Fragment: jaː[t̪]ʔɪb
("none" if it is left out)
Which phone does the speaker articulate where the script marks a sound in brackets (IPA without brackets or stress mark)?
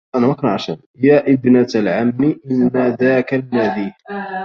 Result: none